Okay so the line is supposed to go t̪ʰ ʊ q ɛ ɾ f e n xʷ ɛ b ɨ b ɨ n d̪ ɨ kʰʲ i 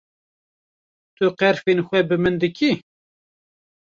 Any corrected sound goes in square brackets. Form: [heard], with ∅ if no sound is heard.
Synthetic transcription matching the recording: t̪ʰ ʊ q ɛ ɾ f e n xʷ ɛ b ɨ [m] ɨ n d̪ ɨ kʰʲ i